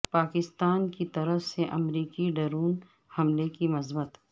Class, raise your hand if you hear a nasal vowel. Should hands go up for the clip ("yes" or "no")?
no